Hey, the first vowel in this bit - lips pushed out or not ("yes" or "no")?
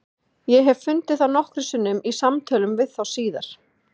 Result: no